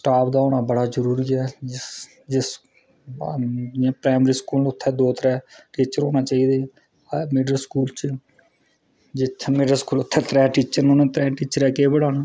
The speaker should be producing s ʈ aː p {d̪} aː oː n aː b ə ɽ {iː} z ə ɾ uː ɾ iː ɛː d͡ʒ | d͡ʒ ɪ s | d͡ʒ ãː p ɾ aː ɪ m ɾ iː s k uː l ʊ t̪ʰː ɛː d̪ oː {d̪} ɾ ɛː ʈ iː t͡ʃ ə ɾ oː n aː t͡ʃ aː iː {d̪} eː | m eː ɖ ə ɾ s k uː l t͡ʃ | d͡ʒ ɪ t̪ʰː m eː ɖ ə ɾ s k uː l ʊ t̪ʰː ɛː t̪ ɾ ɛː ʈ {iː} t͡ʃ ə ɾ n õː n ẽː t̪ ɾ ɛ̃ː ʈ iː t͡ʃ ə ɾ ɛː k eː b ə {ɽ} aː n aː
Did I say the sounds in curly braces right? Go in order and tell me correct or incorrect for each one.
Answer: correct, incorrect: aː, incorrect: t̪, correct, correct, correct

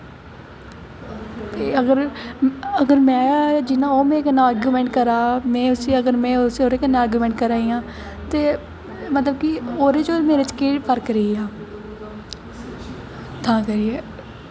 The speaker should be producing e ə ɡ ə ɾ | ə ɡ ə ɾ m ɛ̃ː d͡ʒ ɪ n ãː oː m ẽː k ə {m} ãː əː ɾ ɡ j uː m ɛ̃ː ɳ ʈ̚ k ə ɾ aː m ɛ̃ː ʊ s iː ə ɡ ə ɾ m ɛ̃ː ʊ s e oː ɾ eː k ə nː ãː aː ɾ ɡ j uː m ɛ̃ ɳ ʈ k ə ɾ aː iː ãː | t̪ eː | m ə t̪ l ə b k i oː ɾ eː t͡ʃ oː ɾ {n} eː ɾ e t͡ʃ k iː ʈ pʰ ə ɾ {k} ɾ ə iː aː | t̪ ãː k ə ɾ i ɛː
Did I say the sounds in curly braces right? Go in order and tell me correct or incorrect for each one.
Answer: incorrect: n, incorrect: m, correct

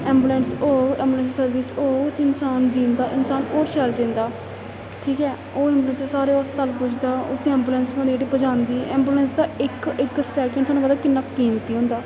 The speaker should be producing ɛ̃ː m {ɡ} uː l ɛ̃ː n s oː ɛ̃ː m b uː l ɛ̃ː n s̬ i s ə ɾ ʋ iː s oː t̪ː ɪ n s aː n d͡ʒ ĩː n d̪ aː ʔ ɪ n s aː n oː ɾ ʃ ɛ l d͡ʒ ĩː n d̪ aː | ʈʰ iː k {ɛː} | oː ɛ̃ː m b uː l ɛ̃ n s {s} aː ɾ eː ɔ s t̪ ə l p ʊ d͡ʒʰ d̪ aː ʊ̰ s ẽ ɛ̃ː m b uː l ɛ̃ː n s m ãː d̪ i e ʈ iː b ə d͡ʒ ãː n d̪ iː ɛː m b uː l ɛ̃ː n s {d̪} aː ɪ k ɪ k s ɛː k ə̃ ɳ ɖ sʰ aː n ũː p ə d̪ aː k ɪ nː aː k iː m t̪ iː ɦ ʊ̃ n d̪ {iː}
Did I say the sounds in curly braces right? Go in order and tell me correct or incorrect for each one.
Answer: incorrect: b, correct, correct, correct, incorrect: aː

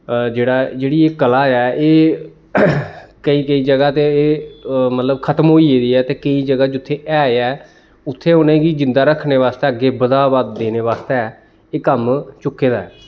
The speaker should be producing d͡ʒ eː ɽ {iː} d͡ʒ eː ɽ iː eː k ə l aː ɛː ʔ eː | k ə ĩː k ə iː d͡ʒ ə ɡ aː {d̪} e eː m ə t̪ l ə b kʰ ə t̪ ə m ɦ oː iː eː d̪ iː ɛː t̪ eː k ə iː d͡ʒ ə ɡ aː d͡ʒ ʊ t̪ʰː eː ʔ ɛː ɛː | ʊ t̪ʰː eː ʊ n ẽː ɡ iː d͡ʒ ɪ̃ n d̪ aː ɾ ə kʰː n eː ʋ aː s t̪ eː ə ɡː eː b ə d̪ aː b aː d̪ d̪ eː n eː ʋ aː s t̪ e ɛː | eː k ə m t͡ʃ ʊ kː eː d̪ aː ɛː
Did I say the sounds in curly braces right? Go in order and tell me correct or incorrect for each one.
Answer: incorrect: aː, incorrect: t̪

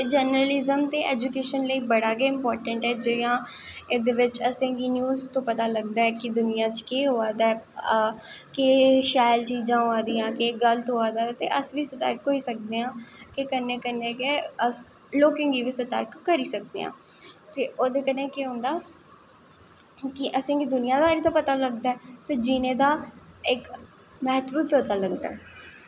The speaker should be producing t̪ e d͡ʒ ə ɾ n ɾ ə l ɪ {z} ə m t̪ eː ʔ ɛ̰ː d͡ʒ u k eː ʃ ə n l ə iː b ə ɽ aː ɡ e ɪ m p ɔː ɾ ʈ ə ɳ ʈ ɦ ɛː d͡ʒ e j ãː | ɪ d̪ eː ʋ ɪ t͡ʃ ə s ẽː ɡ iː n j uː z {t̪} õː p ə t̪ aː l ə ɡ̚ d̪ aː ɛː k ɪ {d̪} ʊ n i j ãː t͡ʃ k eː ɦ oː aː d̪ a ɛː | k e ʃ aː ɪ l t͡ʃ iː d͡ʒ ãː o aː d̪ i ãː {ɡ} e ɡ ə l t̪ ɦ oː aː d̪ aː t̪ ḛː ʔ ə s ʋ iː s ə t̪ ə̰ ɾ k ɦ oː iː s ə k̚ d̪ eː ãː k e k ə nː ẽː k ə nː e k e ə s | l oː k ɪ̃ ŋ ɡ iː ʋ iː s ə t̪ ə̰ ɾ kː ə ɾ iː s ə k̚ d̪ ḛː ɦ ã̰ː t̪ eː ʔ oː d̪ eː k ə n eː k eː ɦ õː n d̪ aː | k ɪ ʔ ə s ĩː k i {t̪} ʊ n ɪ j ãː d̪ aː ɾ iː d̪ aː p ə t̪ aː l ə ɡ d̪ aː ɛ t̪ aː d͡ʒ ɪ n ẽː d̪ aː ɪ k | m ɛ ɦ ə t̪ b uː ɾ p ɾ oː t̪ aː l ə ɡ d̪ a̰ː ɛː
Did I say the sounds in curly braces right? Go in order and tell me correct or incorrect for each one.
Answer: correct, correct, correct, incorrect: k, incorrect: d̪

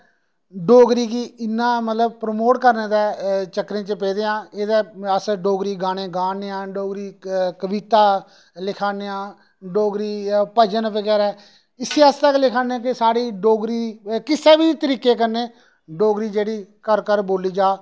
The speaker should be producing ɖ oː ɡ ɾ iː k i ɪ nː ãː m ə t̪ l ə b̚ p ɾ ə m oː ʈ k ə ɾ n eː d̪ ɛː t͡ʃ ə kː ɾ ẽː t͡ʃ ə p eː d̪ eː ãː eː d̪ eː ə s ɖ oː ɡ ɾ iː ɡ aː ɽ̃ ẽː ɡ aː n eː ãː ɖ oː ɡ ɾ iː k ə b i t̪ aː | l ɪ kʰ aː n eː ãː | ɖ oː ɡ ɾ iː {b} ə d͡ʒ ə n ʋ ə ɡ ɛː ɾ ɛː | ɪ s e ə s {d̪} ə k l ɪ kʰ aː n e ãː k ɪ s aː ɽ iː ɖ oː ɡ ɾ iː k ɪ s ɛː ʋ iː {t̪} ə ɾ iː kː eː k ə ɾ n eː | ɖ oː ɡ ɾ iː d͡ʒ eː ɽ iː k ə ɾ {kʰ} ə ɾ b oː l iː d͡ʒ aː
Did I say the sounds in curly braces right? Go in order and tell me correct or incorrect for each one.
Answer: incorrect: p, incorrect: t̪, correct, incorrect: k

